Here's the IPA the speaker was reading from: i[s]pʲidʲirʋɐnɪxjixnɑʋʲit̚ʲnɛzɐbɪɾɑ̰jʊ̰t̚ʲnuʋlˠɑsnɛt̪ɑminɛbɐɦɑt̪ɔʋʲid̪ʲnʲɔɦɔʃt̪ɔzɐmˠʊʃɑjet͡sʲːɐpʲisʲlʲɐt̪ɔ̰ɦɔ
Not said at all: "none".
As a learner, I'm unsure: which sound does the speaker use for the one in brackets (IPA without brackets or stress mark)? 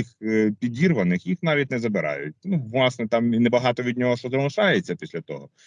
x